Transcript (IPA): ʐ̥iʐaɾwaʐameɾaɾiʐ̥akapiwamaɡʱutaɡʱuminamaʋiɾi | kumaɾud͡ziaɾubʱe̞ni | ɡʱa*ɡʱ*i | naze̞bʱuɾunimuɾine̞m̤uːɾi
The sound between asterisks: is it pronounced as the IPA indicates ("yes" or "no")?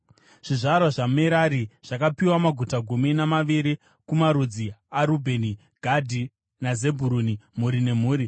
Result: no